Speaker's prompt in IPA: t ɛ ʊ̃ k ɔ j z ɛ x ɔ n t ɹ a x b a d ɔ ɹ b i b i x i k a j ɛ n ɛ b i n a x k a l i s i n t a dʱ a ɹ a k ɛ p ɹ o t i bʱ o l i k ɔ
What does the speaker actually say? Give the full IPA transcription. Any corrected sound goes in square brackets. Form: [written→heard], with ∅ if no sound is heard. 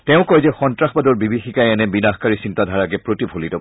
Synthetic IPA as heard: t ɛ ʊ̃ k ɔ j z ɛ x ɔ n t ɹ a x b a d ɔ ɹ b i b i x i k a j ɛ n ɛ b i n a x k a [l→ɹ] i s i n t a dʱ a ɹ a k ɛ p ɹ o t i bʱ o l i [k→t] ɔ

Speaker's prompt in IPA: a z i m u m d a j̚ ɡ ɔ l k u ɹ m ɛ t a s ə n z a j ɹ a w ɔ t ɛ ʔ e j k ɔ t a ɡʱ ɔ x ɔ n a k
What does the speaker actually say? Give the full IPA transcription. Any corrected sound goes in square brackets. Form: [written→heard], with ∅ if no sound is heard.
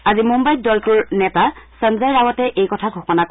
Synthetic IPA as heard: a z i m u m [d→b] a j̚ [ɡ→d] ɔ l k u ɹ [m→n] ɛ t a s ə n z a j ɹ a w ɔ t ɛ ʔ e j k ɔ [t→tʰ] a ɡʱ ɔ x ɔ n a k

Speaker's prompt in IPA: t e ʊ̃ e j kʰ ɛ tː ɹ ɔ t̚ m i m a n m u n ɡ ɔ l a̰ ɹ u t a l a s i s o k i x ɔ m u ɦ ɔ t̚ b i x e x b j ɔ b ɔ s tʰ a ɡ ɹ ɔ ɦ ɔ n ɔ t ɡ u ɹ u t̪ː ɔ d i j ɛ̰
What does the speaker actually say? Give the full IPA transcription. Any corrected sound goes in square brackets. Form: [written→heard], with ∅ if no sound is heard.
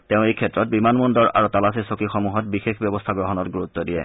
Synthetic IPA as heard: t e ʊ̃ e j kʰ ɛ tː ɹ ɔ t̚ [m→b] i m a n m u n [ɡ→d] ɔ [l→ɹ] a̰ ɹ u t a l a s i s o k i x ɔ m u ɦ ɔ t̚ b i x e x b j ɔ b ɔ s tʰ a ɡ ɹ ɔ ɦ ɔ n ɔ t ɡ u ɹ u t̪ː ɔ d i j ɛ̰

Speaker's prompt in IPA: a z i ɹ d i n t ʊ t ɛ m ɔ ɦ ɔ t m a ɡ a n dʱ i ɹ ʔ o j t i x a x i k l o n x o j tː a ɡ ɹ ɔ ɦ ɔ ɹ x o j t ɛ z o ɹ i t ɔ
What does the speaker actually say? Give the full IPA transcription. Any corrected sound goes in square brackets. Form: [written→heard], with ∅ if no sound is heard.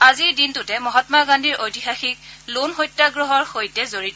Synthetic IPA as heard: a z i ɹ d i n t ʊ t ɛ m ɔ ɦ ɔ t m a ɡ a n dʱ i ɹ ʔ o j t i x a x i k l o n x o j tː a ɡ ɹ ɔ ɦ ɔ ɹ x o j t ɛ z o ɹ i t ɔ

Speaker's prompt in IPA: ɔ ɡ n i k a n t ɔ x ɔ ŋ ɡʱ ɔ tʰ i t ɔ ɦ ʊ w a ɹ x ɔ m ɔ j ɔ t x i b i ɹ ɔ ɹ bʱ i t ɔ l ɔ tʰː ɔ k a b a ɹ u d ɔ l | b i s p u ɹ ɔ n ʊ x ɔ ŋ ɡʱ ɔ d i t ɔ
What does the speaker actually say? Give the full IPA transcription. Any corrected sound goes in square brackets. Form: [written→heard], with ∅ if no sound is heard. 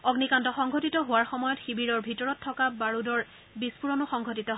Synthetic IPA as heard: ɔ ɡ n i k a n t ɔ x ɔ ŋ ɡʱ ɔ [tʰ→t] i t ɔ ɦ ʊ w a ɹ x ɔ m ɔ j ɔ t x i b i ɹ ɔ ɹ bʱ i t ɔ [l→ɹ] ɔ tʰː ɔ k a b a ɹ u d ɔ [l→ɹ] | b i s p u ɹ ɔ n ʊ x ɔ ŋ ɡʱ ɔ [d→t] i t ɔ

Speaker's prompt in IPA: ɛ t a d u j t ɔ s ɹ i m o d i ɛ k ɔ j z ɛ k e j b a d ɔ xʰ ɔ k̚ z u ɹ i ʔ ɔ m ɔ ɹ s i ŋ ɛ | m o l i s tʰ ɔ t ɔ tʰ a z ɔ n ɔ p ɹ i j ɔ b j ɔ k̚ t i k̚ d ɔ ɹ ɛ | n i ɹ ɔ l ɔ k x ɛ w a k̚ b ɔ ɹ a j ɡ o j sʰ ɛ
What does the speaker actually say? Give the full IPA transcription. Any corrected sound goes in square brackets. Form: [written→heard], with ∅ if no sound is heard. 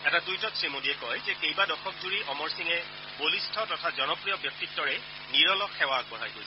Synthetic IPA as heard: ɛ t a d u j t ɔ s ɹ i m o d i ɛ k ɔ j z ɛ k e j b a d ɔ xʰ ɔ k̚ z u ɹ i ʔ ɔ m ɔ ɹ s i ŋ ɛ | [m→b] o l i s tʰ ɔ t ɔ tʰ a z ɔ n ɔ p ɹ i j ɔ b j ɔ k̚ t i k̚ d ɔ ɹ ɛ | n i ɹ ɔ l ɔ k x ɛ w a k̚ b ɔ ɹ a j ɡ o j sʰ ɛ

